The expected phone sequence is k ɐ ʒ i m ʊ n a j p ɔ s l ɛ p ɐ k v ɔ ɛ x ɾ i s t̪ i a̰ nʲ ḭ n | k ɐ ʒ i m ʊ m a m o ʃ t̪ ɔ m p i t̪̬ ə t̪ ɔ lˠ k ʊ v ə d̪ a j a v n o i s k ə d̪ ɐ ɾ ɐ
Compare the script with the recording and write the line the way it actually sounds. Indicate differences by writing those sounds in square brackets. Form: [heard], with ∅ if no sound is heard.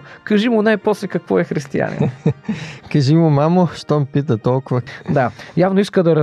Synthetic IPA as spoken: k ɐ ʒ i m ʊ n a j p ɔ s l ɛ [k] ɐ k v ɔ ɛ x ɾ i s t̪ i a̰ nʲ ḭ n | k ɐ ʒ i m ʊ m a m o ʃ t̪ ɔ m p i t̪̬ ə t̪ ɔ lˠ k ʊ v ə d̪ a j a v n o i s k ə d̪ ɐ ɾ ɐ